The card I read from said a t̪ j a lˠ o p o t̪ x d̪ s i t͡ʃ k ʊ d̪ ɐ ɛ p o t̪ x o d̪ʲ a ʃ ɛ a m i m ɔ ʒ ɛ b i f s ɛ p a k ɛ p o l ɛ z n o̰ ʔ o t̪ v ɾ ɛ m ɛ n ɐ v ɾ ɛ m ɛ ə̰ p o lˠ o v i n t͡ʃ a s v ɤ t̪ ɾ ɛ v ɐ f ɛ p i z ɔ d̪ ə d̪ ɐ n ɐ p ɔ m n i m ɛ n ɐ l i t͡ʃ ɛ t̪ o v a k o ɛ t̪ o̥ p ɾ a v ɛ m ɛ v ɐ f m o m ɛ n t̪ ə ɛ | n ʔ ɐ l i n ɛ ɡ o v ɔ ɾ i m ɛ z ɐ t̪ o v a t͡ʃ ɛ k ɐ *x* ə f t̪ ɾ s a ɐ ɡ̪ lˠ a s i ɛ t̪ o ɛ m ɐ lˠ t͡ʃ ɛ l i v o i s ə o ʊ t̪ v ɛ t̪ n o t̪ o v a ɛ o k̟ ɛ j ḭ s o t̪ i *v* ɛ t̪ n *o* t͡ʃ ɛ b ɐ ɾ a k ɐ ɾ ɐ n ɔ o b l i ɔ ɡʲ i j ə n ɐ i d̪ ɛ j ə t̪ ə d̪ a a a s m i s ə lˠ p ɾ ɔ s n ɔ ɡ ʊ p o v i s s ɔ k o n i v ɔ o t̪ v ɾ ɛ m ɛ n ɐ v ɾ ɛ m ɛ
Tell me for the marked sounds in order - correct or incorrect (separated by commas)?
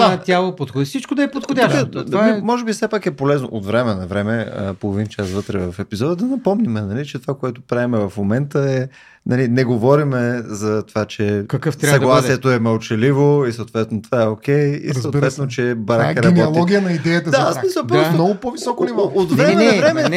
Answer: incorrect, correct, correct